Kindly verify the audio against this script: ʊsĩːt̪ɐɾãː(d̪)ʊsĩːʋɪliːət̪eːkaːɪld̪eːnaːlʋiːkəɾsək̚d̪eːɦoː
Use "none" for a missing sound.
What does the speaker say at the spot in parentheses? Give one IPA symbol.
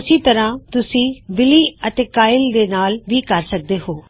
t̪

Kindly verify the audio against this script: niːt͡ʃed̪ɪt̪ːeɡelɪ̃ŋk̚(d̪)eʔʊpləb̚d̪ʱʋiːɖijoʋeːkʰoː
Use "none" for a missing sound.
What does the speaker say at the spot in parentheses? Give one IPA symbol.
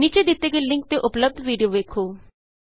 t̪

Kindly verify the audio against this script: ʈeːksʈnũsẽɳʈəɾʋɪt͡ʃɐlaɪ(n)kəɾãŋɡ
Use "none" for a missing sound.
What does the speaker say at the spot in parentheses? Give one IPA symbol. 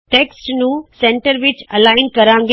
n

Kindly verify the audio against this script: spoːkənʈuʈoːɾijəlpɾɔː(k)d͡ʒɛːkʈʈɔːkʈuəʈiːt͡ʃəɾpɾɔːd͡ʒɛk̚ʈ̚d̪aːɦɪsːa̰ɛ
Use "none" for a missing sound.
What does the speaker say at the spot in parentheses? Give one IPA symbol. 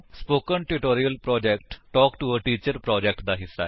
none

